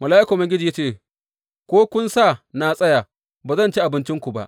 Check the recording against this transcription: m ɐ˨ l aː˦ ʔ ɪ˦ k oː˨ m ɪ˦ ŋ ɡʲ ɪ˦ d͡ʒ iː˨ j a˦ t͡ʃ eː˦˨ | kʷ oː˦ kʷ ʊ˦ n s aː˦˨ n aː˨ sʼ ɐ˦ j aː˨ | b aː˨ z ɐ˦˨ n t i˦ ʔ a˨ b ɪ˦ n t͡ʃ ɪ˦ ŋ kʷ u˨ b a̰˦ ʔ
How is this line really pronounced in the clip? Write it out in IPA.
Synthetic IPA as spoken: m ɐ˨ l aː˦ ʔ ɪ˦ k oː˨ m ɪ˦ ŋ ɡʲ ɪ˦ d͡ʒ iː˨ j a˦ t͡ʃ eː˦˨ | kʷ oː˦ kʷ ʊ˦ n s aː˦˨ n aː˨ sʼ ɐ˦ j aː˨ | b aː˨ z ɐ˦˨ n t͡ʃ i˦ ʔ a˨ b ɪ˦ n t͡ʃ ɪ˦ ŋ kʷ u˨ b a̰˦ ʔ